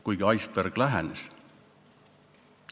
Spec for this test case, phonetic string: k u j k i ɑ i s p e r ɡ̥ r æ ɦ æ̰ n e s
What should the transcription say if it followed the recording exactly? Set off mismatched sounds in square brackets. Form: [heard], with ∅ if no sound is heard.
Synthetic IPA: k u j [ɡ] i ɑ [j] s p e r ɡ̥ [l] æ ɦ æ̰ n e s